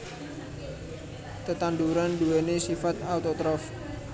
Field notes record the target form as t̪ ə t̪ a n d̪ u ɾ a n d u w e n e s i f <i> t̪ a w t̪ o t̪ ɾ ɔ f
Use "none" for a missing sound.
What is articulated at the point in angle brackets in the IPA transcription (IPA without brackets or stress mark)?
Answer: a